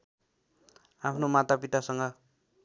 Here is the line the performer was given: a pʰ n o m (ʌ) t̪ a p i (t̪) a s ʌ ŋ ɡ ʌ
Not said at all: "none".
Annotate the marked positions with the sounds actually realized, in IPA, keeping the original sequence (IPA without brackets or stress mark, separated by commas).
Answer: a, t̪